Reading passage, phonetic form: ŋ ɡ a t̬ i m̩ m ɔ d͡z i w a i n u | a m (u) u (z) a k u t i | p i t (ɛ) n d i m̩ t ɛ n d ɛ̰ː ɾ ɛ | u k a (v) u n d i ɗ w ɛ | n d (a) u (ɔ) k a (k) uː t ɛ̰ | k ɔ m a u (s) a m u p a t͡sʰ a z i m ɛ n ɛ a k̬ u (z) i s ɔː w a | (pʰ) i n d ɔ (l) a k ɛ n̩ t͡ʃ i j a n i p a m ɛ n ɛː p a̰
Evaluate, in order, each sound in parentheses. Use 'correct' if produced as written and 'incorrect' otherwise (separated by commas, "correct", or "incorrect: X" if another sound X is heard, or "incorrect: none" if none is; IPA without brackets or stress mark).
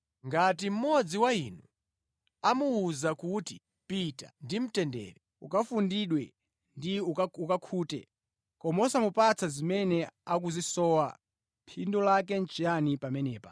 correct, correct, incorrect: a, incorrect: f, incorrect: i, incorrect: u, incorrect: kʰ, correct, correct, correct, correct